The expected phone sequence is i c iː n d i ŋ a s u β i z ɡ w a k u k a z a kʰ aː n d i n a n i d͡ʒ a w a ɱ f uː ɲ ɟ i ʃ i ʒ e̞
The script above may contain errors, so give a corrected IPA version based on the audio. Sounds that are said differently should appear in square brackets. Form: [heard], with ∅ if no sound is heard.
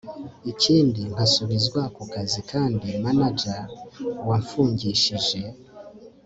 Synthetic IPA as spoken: i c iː n d i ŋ a s u β i z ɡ w a k u k a z [i] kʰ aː n d i [m] a n [a] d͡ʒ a w a ɱ f uː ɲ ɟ i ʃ i ʒ e̞